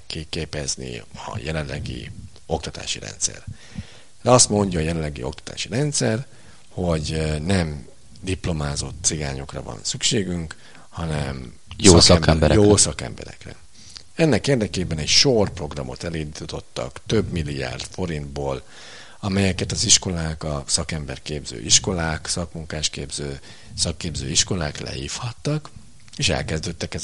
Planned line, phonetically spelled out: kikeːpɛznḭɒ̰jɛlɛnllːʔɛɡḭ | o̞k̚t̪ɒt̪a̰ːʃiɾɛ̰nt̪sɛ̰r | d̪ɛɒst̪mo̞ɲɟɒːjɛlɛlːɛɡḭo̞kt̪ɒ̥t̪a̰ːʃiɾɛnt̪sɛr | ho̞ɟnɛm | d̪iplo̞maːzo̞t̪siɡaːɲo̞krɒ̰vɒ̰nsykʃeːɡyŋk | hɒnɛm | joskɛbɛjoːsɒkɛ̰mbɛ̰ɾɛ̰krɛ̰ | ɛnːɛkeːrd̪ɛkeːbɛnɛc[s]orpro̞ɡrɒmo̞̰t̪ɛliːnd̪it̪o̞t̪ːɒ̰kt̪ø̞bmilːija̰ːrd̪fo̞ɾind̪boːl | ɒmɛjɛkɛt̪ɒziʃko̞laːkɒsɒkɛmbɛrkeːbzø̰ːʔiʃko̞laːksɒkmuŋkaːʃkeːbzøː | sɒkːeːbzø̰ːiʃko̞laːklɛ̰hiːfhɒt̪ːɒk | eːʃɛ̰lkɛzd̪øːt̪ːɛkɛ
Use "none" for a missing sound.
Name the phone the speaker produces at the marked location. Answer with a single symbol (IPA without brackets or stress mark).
ʃ